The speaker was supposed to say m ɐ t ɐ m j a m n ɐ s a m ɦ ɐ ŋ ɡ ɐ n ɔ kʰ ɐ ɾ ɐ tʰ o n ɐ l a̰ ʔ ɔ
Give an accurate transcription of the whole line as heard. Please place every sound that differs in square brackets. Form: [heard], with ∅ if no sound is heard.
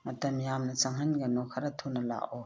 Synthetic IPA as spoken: m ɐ t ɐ m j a m n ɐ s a [ŋ] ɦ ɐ [n] ɡ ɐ n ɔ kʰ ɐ ɾ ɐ tʰ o n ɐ l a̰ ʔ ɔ